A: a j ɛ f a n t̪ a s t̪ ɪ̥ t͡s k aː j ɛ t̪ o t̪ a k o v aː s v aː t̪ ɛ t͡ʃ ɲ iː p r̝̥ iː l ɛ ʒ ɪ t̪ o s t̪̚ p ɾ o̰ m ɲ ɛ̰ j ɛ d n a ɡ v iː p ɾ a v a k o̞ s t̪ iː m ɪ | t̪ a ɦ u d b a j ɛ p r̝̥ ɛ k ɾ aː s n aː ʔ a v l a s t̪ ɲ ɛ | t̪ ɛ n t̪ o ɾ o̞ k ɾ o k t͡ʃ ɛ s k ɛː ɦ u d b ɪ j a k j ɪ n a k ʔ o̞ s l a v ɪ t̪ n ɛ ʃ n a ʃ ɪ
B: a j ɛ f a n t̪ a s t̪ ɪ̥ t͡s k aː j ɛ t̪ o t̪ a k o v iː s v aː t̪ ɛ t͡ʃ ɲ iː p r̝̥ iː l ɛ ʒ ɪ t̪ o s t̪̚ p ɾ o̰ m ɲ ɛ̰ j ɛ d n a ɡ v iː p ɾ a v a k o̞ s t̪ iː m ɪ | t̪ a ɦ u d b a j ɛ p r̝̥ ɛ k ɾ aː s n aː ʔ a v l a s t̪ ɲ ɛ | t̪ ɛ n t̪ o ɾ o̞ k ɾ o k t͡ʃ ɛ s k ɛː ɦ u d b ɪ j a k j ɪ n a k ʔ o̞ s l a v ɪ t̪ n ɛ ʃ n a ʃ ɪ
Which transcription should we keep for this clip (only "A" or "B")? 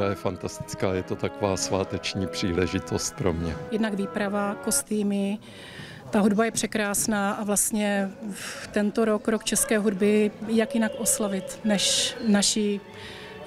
A